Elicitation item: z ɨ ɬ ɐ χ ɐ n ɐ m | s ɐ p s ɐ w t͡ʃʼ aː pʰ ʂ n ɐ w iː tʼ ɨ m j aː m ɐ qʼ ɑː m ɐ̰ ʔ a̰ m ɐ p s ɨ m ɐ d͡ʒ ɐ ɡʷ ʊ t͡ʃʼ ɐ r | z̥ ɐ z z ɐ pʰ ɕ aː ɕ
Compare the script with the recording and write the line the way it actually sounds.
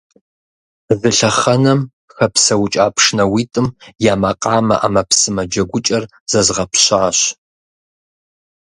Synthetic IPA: z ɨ ɬ ɐ χ ɐ n ɐ m | x ɐ p s ɐ w t͡ʃʼ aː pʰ ʂ n ɐ w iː tʼ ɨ m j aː m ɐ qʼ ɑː m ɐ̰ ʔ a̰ m ɐ p s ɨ m ɐ d͡ʒ ɐ ɡʷ ʊ t͡ʃʼ ɐ r | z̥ ɐ z ʁ ɐ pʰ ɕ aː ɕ

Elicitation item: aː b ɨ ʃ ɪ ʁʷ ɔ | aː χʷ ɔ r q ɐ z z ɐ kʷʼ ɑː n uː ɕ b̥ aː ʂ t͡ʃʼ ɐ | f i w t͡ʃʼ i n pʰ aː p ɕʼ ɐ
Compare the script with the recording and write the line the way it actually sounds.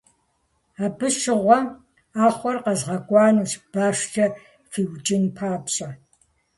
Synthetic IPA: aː b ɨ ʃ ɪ ʁʷ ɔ | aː χʷ ɔ r q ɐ z ʁ ɐ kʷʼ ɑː n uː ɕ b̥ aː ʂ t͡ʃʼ ɐ | f i w t͡ʃʼ ɪ n pʰ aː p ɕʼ ɐ

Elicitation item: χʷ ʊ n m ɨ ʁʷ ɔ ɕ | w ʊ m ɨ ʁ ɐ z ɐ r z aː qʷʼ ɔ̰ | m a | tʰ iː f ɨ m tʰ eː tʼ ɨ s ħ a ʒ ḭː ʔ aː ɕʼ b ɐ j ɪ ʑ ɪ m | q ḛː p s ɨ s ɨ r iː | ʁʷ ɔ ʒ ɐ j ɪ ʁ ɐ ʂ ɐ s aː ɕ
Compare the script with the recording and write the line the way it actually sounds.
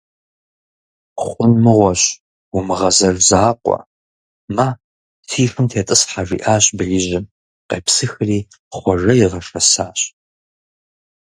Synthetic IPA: χʷ ʊ n m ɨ ʁʷ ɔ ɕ | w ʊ m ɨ ʁ ɐ z ɐ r z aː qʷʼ ɔ̰ | m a | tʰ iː f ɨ m tʰ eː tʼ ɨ s ħ a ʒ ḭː ʔ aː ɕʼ b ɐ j ɪ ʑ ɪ m | q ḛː p s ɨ x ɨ r iː | χʷ ɔ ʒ ɐ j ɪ ʁ ɐ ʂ ɐ s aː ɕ

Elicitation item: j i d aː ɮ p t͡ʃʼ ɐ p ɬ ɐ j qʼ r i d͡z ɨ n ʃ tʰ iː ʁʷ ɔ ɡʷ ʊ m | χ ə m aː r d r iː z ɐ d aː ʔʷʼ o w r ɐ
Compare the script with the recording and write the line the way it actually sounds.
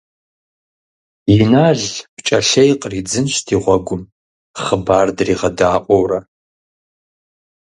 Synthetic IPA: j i n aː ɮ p t͡ʃʼ ɐ ɬ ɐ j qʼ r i d͡z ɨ n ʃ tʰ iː ʁʷ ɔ ɡʷ ʊ m | χ ə b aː r d r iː ʁ ɐ d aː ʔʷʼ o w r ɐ

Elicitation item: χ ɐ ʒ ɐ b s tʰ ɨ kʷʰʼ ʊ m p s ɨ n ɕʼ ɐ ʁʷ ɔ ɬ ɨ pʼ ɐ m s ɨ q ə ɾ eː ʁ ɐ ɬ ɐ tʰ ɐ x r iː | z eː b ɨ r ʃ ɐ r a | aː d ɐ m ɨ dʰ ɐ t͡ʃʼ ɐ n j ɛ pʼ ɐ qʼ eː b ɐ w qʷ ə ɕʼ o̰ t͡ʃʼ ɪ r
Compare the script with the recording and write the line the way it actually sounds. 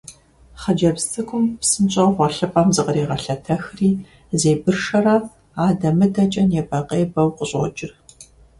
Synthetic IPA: χ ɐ d͡ʒ ɐ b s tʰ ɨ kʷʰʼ ʊ m p s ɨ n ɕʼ ɐ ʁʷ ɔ ɬ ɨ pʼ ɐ m z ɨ q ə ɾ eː ʁ ɐ ɬ ɐ tʰ ɐ x r iː | z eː b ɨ r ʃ ɐ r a | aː d ɐ m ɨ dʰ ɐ t͡ʃʼ ɐ n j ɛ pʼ ɐ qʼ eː b ɐ w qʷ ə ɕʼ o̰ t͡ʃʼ ɪ r

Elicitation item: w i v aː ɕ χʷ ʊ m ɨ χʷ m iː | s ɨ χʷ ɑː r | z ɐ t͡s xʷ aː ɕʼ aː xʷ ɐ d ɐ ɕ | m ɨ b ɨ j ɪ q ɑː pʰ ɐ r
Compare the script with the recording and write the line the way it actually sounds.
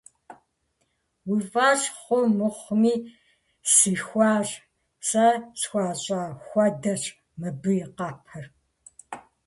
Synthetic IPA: w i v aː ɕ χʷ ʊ m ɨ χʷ m iː | s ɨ xʷ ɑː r | s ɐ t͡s xʷ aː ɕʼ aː xʷ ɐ d ɐ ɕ | m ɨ b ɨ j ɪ q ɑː pʰ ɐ r

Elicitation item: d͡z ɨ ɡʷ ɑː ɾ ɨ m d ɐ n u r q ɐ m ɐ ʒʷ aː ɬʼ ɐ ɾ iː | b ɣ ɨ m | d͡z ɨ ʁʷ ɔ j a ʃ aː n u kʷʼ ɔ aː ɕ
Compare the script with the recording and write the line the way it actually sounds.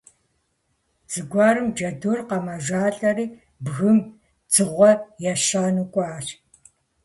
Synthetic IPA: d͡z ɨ ɡʷ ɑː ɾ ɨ m d͡ʒ ɐ d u r q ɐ m ɐ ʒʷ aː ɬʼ ɐ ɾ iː | b ɣ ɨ m | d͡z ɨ ʁʷ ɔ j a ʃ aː n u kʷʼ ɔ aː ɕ

